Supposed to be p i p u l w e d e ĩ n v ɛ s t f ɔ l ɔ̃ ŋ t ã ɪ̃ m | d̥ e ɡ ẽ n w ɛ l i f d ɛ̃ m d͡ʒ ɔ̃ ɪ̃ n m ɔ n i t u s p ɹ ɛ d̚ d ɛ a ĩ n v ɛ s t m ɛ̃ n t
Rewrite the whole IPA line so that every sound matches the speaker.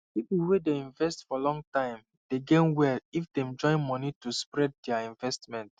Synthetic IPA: p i p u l w e d e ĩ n v ɛ s t f ɔ l ɔ̃ ŋ t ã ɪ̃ m | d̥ e ɡ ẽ n w ɛ l i f d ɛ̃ m d͡ʒ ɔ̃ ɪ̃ n m ɔ n i t u s p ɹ ɛ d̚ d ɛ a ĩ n v ɛ s t m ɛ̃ n t